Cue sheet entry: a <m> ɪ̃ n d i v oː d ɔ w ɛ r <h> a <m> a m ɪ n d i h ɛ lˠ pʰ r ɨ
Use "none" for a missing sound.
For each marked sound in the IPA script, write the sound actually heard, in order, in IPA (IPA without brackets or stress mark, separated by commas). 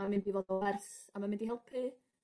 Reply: m, θ, m